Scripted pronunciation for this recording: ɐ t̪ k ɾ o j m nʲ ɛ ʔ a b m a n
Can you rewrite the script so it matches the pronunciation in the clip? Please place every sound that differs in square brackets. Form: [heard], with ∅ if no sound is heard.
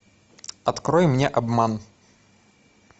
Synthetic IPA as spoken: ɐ t̪ k ɾ [ɔ] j m nʲ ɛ ʔ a b m a n